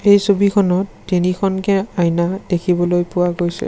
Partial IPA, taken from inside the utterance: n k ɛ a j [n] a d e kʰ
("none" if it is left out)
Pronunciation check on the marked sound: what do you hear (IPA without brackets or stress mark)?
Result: n